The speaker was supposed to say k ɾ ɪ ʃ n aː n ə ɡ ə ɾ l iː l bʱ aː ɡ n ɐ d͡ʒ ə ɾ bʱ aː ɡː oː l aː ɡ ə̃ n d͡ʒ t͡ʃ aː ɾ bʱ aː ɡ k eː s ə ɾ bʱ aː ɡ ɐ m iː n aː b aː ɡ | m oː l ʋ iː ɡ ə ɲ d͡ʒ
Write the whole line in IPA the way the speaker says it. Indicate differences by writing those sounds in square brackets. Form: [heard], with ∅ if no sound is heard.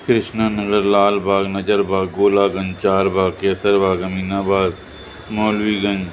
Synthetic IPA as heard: k ɾ ɪ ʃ n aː n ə ɡ ə ɾ l [aː] l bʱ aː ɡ n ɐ d͡ʒ ə ɾ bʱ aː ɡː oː l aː ɡ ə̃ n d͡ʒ t͡ʃ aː ɾ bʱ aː ɡ k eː s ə ɾ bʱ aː ɡ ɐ m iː n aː b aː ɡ | m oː l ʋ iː ɡ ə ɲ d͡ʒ